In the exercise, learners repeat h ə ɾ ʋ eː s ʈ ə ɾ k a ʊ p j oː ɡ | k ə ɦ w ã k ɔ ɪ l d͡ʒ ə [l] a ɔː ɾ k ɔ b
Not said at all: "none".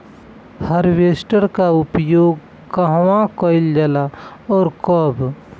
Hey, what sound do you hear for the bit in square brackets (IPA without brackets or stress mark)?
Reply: l